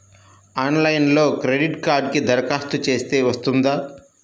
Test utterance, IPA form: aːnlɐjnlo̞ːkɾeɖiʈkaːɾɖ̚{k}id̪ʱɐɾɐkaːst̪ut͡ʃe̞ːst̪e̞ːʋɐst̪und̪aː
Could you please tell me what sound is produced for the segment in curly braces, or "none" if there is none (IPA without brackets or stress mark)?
k